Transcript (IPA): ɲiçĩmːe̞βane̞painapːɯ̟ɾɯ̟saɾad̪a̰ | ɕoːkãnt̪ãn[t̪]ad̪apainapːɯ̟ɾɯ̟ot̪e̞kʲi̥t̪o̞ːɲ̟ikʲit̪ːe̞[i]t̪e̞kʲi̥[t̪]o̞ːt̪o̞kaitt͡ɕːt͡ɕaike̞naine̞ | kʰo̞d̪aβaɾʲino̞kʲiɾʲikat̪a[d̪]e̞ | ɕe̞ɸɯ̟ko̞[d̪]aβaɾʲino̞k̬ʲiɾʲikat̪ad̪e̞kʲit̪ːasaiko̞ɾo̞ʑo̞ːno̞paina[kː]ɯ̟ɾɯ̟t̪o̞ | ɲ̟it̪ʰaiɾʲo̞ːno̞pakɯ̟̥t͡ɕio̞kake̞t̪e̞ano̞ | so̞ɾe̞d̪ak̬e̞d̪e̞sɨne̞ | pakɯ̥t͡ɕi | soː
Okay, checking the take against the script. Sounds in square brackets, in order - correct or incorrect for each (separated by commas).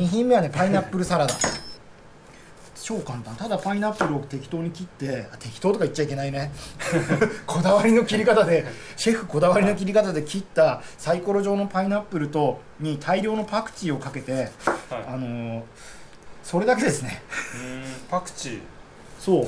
correct, incorrect, correct, correct, correct, incorrect